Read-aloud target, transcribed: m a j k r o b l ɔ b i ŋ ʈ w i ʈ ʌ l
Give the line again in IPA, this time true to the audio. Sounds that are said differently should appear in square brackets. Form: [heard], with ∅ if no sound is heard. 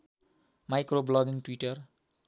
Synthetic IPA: m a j k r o b l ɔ [ɡ] i ŋ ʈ w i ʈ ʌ [r]